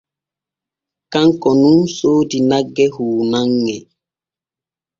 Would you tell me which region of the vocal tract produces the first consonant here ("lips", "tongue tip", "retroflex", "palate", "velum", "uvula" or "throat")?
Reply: velum